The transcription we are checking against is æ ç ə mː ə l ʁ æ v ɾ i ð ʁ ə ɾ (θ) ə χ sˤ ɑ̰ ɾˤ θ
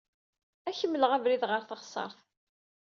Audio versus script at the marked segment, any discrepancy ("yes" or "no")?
no